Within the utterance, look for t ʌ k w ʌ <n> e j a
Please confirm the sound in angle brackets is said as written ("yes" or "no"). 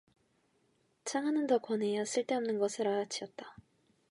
yes